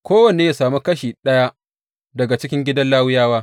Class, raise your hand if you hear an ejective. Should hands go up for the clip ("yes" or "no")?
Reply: no